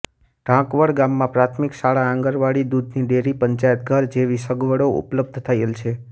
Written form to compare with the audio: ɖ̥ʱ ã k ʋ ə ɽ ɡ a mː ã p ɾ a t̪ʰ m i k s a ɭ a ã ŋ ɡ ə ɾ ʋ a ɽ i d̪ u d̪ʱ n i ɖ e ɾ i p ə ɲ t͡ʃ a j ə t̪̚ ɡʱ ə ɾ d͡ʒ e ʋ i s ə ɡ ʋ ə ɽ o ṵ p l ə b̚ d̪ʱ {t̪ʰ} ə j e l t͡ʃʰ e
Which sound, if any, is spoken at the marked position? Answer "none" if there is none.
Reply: t̪ʰ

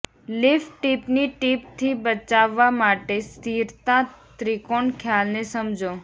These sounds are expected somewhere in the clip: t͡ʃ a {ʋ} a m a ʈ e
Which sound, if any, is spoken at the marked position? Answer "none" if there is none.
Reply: ʋː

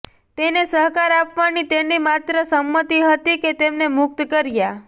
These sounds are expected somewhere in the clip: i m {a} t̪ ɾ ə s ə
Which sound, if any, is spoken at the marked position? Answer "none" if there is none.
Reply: a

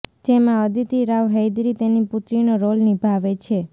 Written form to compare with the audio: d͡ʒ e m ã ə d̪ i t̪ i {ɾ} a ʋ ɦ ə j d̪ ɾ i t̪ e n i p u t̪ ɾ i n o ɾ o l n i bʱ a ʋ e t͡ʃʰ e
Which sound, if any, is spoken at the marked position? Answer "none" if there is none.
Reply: ɾ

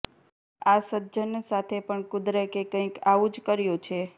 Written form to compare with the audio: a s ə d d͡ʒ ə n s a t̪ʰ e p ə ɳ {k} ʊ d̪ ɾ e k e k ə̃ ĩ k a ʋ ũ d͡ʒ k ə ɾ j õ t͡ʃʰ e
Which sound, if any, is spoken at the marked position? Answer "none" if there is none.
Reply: k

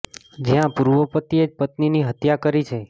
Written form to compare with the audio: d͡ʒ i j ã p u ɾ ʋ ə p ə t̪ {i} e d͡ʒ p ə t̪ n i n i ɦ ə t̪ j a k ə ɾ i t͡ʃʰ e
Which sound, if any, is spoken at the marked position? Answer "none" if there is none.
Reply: i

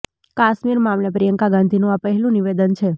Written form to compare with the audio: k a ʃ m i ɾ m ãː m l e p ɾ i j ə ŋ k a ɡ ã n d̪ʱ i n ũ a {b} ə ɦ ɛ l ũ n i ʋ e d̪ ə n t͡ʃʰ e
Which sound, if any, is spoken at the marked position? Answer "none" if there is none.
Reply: p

